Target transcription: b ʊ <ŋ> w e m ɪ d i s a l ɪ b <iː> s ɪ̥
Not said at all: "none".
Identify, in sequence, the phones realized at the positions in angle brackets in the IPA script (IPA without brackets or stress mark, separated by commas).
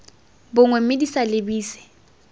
ŋ, iː